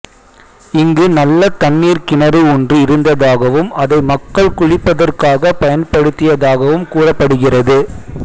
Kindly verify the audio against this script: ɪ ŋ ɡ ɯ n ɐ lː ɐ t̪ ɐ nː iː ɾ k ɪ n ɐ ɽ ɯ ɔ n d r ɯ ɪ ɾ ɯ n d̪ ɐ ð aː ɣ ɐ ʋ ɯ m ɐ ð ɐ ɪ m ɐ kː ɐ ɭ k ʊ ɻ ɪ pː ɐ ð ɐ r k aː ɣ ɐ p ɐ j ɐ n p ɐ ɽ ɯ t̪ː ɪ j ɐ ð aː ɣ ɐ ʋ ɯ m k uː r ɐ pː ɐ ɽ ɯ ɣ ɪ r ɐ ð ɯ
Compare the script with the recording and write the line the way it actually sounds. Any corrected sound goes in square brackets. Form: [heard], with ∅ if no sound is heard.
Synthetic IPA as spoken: ɪ ŋ ɡ ɯ n ɐ lː ɐ t̪ ɐ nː iː ɾ k ɪ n ɐ [ɾ] ɯ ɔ n d r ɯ ɪ ɾ ɯ n d̪ ɐ ð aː ɣ ɐ ʋ ɯ m ɐ ð ɐ ɪ m ɐ kː ɐ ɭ k ʊ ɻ ɪ pː ɐ ð ɐ r k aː ɣ ɐ p ɐ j ɐ n p ɐ ɽ ɯ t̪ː ɪ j ɐ ð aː ɣ ɐ ʋ ɯ m k uː r ɐ pː ɐ ɽ ɯ ɣ ɪ r ɐ ð ɯ